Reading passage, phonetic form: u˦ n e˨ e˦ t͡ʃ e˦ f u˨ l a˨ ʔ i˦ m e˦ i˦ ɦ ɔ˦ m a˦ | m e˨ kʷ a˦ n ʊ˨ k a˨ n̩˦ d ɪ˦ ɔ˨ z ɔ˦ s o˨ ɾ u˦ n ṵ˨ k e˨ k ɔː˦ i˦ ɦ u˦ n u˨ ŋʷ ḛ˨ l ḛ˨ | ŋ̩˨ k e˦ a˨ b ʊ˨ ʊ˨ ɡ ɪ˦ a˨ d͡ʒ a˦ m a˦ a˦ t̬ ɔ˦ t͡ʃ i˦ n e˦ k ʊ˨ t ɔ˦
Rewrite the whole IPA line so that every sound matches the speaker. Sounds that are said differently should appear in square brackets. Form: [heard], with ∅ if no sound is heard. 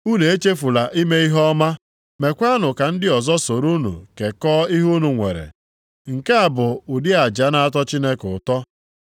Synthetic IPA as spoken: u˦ n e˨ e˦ t͡ʃ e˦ f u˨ l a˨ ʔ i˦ m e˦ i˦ ɦ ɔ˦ m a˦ | m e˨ kʷ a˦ n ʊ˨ k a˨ n̩˦ d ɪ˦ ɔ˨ z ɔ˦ s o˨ ɾ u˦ n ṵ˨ k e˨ k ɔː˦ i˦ ɦ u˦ n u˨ ŋʷ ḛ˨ [ɾ] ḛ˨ | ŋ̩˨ k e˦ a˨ b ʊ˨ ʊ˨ [d] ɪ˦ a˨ d͡ʒ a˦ [n] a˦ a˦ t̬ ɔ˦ t͡ʃ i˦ n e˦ k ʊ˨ t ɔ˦